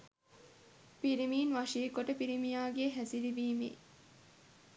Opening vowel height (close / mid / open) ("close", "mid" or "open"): close